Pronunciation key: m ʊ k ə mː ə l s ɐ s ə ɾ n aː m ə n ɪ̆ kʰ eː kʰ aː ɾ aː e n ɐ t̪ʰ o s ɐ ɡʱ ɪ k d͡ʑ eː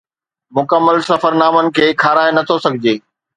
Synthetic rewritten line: m ʊ k ə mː ə l s ɐ f ə ɾ n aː m ə n ɪ̆ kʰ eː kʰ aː ɾ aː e n ɐ t̪ʰ o s ɐ ɡʱ ɪ d͡ʑ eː